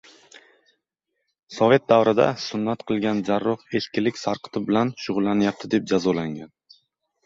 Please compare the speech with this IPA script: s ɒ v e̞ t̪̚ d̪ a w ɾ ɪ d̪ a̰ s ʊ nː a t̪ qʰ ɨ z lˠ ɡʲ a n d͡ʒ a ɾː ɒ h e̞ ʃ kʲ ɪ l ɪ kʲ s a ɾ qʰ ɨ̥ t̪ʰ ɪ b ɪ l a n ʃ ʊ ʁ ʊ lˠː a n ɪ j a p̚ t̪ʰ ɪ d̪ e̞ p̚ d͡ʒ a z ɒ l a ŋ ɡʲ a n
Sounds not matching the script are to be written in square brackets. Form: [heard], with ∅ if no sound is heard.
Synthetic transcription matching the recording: s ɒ v e̞ t̪̚ d̪ a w ɾ ɪ d̪ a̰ s ʊ nː a t̪ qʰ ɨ [∅] lˠ ɡʲ a n d͡ʒ a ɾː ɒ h e̞ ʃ kʲ ɪ l ɪ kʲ s a ɾ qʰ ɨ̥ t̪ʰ ɪ b ɪ l a n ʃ ʊ ʁ ʊ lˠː a n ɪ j a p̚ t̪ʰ ɪ d̪ e̞ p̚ d͡ʒ a z ɒ l a ŋ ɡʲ a n